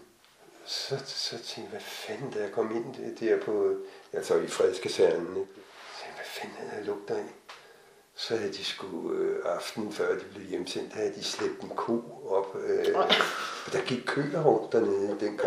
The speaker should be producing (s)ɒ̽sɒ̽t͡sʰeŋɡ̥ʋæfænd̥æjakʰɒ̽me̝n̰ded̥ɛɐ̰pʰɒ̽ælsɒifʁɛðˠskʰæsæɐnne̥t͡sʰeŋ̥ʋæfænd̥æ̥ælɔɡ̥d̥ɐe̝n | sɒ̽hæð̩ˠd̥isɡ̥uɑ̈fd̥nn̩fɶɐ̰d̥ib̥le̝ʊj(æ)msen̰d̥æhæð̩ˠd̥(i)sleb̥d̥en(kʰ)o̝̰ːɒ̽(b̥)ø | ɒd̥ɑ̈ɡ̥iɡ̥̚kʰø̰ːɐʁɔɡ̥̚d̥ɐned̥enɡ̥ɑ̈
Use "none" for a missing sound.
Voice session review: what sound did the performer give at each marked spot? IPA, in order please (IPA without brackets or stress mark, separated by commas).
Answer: s, e, i, kʰ, b̥